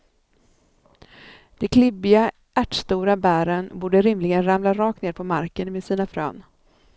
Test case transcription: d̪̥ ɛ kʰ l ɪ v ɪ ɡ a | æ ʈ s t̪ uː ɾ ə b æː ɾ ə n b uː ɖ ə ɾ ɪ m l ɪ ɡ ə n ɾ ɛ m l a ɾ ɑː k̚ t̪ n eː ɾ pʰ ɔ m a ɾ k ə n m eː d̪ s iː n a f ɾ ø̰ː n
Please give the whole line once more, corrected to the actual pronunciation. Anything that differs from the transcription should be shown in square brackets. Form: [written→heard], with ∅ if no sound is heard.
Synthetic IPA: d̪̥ ɛ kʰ l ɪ [v→b] ɪ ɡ a | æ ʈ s t̪ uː ɾ [ə→a] b æː ɾ ə n b uː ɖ ə ɾ ɪ m l ɪ ɡ ə n ɾ [ɛ→a] m l a ɾ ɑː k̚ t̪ n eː ɾ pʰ ɔ m a ɾ k ə n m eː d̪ s iː n a f ɾ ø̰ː n